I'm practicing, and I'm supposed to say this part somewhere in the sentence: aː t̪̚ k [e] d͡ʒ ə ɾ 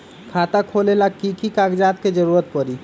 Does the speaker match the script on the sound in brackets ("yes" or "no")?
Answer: yes